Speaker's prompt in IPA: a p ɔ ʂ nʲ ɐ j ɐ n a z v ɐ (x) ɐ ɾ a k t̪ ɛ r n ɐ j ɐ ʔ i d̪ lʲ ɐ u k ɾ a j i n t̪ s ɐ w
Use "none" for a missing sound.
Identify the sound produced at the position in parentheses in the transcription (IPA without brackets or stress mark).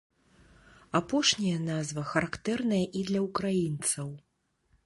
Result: x